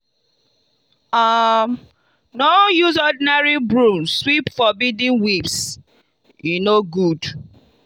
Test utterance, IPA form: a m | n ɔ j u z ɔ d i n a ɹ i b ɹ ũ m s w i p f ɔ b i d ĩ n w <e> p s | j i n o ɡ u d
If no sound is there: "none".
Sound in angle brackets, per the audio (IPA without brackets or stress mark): i